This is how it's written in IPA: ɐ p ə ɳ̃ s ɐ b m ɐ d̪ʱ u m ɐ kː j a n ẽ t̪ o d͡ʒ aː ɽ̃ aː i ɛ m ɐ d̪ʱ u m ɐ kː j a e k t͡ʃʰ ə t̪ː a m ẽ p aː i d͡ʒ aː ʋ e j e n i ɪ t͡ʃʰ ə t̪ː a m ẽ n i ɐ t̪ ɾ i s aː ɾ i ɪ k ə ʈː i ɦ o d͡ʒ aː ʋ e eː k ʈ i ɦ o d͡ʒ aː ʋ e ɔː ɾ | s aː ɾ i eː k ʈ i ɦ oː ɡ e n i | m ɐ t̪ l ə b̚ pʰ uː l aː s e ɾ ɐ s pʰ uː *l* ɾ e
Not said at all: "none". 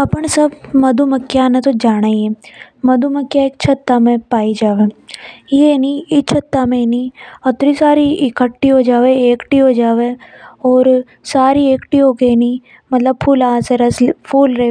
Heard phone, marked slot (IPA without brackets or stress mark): l